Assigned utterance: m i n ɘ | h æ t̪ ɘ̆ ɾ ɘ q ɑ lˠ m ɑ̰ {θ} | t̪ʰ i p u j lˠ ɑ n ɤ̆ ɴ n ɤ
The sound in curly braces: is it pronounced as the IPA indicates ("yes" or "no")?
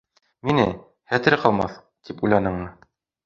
yes